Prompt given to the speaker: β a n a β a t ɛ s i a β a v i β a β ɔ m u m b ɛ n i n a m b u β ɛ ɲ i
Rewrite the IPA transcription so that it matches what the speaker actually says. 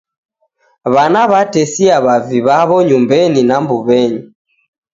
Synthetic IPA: β a n a β a t ɛ s i a β a v i β a β ɔ ɲ u m b ɛ n i n a m b u β ɛ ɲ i